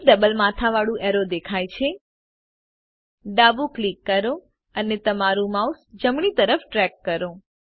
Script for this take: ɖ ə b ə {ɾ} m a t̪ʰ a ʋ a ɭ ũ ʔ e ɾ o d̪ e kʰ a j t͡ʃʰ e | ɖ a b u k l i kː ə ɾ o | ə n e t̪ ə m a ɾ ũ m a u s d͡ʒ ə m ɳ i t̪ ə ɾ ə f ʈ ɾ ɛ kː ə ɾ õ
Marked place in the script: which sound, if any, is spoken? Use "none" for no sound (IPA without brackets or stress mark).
l